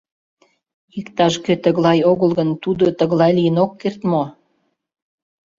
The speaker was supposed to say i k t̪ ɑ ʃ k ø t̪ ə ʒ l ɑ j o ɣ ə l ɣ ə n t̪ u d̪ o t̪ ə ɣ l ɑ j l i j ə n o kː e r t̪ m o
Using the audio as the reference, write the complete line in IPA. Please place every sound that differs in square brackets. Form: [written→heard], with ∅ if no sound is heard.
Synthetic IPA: i k t̪ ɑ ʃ k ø t̪ ə [ʒ→ɣ] l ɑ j o ɣ ə l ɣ ə n t̪ u d̪ o t̪ ə ɣ l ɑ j l i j ə n o kː e r t̪ m o